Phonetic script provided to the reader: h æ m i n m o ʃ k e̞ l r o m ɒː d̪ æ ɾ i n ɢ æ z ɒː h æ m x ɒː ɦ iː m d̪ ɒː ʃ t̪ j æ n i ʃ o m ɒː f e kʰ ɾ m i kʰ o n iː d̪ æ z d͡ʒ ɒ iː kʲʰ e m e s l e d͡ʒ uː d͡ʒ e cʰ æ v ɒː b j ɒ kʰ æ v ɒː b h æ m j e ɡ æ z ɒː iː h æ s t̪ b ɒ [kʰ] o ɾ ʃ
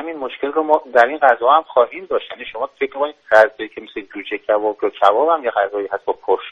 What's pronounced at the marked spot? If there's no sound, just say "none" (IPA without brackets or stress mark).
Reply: pʰ